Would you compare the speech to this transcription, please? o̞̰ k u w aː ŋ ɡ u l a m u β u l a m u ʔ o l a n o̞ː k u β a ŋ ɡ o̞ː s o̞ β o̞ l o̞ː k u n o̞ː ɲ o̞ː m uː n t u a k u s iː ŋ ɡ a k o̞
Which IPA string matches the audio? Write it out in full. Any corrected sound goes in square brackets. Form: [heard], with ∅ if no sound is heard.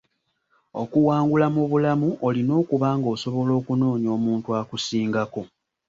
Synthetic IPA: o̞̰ k u w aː ŋ ɡ u l a m u β u l a m u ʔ o l [i] n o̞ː k u β a ŋ ɡ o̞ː s o̞ β o̞ l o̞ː k u n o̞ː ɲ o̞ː m uː n t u a k u s iː ŋ ɡ a k o̞